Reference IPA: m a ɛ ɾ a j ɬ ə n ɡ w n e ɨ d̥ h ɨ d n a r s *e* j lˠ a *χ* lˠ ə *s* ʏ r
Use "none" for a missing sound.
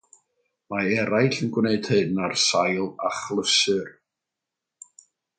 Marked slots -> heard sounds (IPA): a, χ, s

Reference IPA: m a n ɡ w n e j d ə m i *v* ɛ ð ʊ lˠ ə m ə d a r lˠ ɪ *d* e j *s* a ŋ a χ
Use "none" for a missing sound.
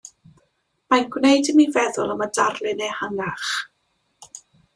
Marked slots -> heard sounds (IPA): v, n, h

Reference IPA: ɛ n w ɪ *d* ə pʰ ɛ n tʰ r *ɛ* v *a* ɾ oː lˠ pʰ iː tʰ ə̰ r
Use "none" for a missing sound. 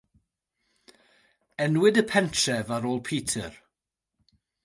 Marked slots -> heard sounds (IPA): d, ɛ, a

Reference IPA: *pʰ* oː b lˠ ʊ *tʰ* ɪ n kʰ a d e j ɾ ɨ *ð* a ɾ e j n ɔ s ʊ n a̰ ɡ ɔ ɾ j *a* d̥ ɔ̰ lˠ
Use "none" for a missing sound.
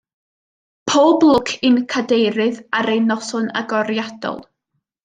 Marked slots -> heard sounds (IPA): pʰ, kʰ, ð, a

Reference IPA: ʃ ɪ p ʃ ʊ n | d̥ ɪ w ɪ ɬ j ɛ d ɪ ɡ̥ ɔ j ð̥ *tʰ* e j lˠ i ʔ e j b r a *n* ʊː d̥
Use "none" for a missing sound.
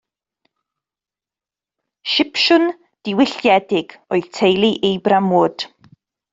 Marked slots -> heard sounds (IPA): tʰ, m

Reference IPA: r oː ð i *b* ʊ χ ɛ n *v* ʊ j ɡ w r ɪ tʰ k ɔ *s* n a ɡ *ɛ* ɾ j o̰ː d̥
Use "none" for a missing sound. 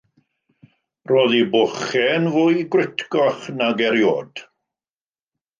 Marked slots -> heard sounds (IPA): b, v, χ, ɛ

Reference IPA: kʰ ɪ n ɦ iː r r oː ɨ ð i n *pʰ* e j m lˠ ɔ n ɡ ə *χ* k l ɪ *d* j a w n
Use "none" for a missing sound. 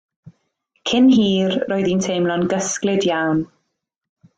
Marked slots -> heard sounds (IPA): tʰ, s, d

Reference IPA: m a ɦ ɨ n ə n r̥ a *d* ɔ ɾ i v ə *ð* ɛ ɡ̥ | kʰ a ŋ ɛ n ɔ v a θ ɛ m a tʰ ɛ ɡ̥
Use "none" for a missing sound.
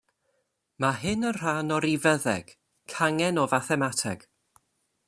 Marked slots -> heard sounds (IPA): n, ð

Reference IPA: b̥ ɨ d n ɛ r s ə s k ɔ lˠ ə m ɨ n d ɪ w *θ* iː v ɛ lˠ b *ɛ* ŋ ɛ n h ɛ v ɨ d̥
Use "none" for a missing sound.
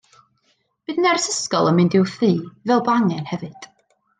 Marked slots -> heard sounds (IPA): θ, a

